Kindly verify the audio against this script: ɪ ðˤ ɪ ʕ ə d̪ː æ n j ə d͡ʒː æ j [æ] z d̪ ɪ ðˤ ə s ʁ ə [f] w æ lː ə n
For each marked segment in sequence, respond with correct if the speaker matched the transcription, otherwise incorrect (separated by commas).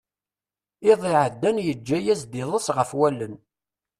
correct, correct